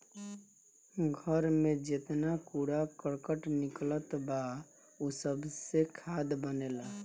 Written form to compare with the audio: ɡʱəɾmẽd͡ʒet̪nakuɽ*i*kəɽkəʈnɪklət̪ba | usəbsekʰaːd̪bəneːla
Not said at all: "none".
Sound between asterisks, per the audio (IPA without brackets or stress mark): a